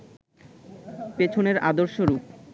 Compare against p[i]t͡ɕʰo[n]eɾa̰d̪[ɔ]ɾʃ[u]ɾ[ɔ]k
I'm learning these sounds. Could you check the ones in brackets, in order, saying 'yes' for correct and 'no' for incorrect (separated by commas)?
no, yes, no, no, no